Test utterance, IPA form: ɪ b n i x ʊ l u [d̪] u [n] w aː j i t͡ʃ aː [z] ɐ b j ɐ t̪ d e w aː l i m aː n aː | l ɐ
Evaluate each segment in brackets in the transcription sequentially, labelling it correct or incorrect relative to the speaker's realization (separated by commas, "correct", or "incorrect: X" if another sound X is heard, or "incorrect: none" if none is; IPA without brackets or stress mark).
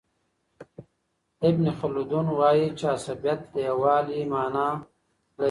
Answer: correct, correct, incorrect: s